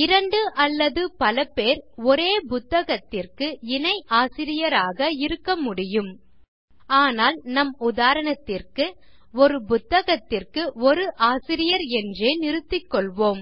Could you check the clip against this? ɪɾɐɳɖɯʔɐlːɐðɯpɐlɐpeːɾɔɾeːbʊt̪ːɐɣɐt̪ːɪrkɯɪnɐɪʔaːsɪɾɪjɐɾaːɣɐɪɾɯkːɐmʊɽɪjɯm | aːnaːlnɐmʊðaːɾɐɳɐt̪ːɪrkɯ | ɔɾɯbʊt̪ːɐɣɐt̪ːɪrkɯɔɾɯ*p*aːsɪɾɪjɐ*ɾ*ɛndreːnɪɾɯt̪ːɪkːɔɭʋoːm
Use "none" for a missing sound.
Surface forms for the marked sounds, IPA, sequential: ʔ, ɾ

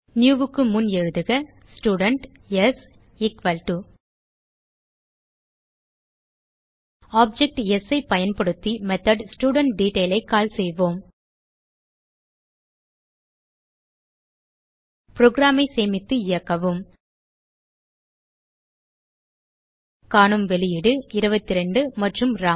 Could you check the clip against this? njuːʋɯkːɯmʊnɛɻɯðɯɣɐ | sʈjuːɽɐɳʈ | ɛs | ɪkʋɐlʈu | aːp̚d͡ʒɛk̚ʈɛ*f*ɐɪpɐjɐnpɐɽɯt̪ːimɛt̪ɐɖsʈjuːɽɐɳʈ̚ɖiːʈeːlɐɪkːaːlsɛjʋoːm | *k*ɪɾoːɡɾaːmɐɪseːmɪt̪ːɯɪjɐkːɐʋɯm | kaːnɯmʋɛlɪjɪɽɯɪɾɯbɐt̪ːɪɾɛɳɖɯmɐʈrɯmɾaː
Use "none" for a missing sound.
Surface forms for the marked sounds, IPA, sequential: s, p

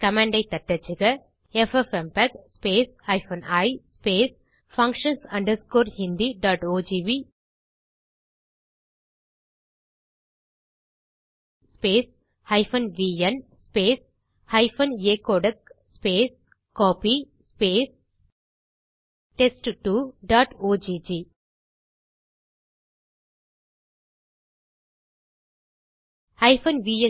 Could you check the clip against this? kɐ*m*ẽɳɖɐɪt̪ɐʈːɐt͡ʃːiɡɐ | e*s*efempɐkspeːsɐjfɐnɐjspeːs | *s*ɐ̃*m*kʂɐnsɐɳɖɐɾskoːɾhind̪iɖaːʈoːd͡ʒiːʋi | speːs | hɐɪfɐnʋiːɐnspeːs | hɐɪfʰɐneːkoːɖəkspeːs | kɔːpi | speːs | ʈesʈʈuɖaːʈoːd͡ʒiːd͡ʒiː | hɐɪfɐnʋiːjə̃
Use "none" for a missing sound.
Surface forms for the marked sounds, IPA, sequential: m, f, f, ŋ

